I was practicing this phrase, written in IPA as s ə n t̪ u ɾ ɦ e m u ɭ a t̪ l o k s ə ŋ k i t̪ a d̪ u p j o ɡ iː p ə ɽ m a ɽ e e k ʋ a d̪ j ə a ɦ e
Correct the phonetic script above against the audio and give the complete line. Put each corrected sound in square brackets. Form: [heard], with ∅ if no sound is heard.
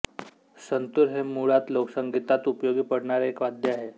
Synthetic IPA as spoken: s ə n t̪ u ɾ ɦ e m u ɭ a t̪ l o k s ə ŋ [ɡ] i t̪ a [t̪] u p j o ɡ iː p ə ɽ [ɳ] a [ɾ] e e k ʋ a d̪ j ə a ɦ e

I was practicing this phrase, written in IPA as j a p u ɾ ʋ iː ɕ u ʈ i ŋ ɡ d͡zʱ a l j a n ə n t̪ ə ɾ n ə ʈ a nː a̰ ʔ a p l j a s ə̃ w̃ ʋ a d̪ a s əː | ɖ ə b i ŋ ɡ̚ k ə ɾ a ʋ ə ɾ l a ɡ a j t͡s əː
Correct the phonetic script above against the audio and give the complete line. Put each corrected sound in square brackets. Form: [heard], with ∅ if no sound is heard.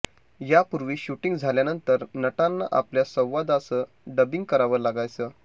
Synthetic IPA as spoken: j a p u ɾ ʋ iː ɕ u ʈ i ŋ ɡ d͡zʱ a l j a n ə n t̪ ə ɾ n ə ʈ a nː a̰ ʔ a p l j a s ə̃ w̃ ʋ a d̪ a s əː | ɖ ə b i ŋ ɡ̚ k ə ɾ a ʋ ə ɾ l a ɡ a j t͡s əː

